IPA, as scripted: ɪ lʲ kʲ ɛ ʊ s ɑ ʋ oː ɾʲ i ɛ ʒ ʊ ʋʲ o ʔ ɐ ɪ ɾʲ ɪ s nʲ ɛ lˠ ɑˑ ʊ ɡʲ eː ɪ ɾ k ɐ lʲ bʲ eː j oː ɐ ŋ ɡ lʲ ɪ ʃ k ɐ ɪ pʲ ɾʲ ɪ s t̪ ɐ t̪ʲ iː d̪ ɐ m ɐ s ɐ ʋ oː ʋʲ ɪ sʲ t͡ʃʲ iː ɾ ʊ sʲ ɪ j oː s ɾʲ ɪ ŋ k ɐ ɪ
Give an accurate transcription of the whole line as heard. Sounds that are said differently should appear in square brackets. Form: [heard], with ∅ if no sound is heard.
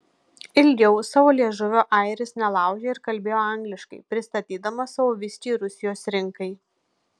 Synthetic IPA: ɪ lʲ [ɡʲ] ɛ ʊ s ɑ ʋ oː [lʲ] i ɛ ʒ ʊ ʋʲ o ʔ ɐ ɪ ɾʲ ɪ s nʲ ɛ lˠ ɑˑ ʊ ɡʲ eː ɪ ɾ k ɐ lʲ bʲ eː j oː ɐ ŋ ɡ lʲ ɪ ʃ k ɐ ɪ pʲ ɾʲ ɪ s t̪ ɐ t̪ʲ iː d̪ ɐ m ɐ s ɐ ʋ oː ʋʲ ɪ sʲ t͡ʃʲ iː ɾ ʊ sʲ ɪ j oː s ɾʲ ɪ ŋ k ɐ ɪ